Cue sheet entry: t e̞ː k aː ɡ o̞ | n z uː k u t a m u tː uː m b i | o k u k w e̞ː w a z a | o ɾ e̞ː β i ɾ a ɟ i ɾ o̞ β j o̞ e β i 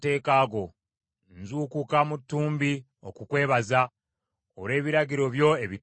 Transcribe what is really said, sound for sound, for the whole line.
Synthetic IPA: t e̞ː k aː ɡ o̞ | n z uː k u k a m u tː uː m b i | o k u k w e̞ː β a z a | o ɾ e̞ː β i ɾ a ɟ i ɾ o̞ β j o̞ e β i